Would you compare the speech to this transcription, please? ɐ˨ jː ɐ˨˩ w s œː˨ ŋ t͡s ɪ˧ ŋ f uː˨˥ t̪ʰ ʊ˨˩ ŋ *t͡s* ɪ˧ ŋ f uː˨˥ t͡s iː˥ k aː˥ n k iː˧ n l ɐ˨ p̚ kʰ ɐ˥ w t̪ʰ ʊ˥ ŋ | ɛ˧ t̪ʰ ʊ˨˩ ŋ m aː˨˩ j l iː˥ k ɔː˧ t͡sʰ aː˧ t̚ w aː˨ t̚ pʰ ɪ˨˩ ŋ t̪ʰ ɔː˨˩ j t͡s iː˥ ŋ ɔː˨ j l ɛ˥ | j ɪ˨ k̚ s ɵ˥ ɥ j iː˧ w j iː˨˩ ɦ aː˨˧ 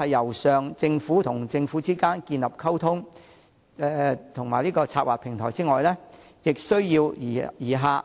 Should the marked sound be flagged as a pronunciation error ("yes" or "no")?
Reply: no